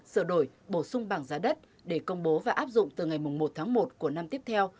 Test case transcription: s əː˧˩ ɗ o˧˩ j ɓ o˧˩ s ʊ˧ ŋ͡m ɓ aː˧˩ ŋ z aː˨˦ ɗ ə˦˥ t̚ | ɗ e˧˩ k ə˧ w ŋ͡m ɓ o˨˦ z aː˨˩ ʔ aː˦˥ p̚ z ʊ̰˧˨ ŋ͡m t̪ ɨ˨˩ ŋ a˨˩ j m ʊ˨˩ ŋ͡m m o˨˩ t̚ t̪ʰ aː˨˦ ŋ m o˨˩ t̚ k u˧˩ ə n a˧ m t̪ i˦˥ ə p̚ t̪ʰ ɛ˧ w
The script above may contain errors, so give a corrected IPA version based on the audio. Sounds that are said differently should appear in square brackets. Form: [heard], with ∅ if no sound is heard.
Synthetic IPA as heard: s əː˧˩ ɗ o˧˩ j ɓ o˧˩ s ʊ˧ ŋ͡m ɓ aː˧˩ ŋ z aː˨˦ ɗ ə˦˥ t̚ | ɗ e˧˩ k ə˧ w ŋ͡m ɓ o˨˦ [v] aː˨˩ ʔ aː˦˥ p̚ z ʊ̰˧˨ ŋ͡m t̪ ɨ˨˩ ŋ a˨˩ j m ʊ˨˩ ŋ͡m m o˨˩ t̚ t̪ʰ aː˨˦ ŋ m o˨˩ t̚ k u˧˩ ə n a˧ m t̪ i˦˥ ə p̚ t̪ʰ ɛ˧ w